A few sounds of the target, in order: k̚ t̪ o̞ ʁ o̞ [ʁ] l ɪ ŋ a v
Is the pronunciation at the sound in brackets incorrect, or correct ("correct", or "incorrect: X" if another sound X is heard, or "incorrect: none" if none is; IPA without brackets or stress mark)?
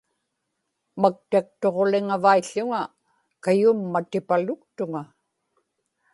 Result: incorrect: none